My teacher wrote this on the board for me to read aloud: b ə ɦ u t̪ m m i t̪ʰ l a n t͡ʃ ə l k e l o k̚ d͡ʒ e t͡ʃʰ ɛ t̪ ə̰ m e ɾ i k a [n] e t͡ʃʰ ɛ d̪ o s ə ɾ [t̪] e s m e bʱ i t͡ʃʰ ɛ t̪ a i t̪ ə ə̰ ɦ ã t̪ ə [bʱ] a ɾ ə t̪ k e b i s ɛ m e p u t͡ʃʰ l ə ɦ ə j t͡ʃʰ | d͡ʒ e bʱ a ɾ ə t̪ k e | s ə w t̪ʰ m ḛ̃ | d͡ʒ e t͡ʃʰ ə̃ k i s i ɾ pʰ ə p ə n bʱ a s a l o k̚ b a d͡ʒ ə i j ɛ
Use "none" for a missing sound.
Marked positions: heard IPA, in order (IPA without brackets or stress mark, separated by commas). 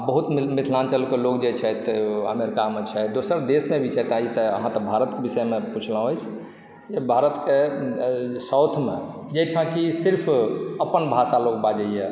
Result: m, d̪, bʱ